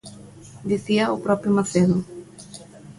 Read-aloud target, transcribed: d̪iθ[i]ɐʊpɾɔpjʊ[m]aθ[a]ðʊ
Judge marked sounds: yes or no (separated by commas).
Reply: yes, yes, no